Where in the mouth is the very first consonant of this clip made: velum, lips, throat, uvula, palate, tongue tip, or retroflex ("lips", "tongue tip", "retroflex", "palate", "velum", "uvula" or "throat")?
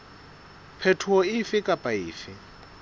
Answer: lips